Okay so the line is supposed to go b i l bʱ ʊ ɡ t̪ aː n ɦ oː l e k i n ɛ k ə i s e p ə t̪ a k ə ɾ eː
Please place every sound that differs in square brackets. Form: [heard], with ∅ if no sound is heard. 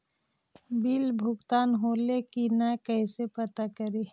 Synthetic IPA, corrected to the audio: b i l bʱ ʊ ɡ t̪ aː n ɦ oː l e k i n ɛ k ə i s e p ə t̪ a k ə ɾ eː